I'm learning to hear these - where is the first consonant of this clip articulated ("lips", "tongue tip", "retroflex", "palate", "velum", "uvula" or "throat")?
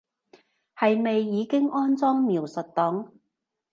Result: throat